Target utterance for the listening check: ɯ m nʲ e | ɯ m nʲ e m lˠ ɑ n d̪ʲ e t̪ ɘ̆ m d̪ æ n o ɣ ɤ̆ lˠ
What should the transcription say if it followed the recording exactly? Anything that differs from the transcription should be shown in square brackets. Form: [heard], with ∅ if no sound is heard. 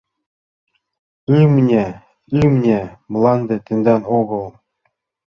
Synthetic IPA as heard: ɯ m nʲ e | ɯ m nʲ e m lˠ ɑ n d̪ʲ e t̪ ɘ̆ [n] d̪ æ n o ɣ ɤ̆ lˠ